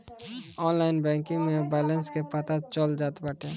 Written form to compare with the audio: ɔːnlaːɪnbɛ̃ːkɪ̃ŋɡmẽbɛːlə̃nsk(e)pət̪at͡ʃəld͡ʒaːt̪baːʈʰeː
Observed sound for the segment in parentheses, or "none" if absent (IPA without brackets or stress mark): e